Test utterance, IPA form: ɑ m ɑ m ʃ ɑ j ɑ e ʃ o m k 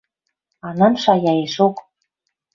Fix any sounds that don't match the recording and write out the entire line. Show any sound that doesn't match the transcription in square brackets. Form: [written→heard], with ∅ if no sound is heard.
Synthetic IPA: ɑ [m→n] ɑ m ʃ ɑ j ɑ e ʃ o [m→∅] k